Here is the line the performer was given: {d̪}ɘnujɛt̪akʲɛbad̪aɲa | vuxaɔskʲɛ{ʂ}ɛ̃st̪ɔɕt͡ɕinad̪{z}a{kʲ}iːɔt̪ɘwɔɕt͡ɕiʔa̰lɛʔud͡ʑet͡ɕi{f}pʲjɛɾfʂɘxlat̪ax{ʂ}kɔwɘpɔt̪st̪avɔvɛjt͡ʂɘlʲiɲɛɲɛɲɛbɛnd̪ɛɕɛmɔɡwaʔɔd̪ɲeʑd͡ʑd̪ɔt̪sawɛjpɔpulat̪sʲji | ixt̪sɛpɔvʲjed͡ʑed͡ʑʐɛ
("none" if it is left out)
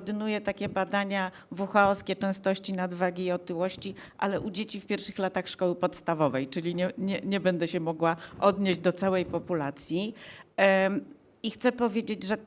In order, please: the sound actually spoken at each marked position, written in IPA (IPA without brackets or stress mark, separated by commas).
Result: d̪, t͡ʂ, v, ɡʲ, f, ʂ